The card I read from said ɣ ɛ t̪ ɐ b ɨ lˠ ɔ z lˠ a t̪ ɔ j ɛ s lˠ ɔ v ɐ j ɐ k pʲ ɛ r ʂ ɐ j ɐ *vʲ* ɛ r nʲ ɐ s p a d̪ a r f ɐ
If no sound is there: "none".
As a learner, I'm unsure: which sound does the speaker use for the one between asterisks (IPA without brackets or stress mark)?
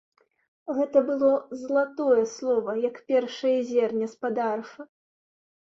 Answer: zʲ